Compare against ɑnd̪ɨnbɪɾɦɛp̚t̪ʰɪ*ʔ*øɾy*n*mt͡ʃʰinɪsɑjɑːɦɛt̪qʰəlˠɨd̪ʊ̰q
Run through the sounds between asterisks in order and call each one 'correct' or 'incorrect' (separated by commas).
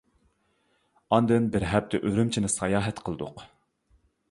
correct, incorrect